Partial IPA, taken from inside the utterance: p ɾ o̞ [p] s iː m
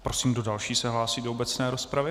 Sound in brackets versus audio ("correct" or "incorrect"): incorrect